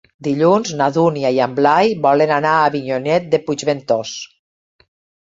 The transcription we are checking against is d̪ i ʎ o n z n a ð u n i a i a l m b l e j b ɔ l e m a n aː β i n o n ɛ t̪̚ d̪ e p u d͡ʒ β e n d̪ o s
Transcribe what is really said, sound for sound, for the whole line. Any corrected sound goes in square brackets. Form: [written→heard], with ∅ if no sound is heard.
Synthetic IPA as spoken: d̪ i ʎ [o→u] n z n a ð u n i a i a [l→∅] m b l [e→a] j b ɔ l e [m→n] a n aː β i [n→ɲ] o n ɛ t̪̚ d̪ e p u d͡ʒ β e n [d̪→t̪] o s